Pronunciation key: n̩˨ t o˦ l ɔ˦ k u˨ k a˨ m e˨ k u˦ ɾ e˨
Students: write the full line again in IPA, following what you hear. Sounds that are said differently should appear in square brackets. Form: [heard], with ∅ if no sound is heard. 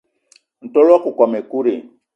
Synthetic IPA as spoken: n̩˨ t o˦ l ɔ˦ k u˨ k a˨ m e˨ k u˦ ɾ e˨